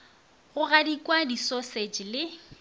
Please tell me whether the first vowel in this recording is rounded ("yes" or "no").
yes